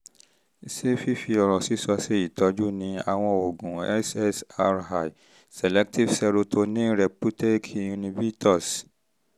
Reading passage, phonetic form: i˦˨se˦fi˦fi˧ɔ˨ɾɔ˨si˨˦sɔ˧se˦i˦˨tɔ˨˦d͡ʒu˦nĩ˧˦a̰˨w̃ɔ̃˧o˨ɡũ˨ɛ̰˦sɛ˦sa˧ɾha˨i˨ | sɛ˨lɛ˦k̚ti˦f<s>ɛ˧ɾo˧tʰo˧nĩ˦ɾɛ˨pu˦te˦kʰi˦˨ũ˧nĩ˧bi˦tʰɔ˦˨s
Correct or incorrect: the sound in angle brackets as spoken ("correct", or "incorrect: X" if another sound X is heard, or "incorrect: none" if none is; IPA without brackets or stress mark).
correct